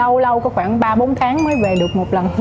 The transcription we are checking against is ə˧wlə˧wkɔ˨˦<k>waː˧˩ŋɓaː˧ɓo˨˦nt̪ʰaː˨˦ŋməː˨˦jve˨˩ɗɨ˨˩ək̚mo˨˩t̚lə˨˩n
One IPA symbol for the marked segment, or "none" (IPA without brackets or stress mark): x